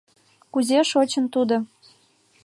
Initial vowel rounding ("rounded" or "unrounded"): rounded